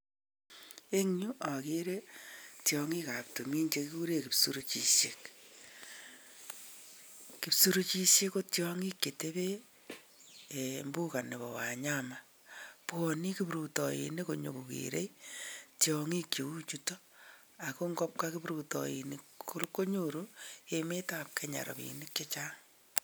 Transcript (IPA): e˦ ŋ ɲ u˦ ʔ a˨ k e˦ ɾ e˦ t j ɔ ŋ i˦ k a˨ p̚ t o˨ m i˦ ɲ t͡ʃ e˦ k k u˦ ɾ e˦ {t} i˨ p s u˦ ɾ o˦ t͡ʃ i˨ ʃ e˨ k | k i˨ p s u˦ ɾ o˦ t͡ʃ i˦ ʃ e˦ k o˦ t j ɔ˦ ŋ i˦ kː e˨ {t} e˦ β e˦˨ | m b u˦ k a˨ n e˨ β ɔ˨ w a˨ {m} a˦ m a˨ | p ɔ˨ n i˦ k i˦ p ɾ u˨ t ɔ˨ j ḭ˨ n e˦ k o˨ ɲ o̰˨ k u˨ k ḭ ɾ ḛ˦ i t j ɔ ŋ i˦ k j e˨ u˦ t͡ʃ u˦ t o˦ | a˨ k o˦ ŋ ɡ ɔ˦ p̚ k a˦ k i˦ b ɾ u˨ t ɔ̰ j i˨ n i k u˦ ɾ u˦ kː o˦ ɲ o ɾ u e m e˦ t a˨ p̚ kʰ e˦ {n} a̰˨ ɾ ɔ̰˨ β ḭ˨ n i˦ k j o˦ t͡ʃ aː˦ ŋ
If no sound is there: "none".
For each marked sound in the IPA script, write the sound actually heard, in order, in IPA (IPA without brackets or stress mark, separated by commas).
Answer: k, t, ɲ, ɲ